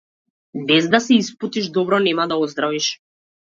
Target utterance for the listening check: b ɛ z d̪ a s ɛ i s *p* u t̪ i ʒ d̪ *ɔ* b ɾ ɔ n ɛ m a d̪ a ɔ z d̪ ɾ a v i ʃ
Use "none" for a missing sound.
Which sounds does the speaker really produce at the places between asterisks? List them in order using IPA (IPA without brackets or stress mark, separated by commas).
p, ɔ